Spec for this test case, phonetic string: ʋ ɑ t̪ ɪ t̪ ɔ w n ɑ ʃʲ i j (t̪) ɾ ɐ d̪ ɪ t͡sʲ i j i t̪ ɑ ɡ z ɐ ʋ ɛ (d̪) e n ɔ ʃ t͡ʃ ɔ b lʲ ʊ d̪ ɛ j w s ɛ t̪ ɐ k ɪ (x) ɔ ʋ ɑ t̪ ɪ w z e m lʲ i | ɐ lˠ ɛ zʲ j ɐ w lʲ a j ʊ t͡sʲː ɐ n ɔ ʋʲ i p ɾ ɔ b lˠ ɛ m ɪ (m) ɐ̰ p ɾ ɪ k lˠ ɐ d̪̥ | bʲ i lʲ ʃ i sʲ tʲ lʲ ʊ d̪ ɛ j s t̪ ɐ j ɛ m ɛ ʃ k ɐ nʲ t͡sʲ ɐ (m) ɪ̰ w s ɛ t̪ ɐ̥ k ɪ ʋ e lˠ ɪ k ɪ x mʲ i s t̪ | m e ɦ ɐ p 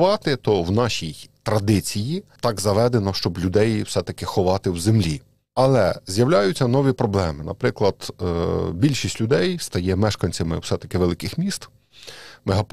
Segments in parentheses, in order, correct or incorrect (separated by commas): correct, correct, correct, incorrect, correct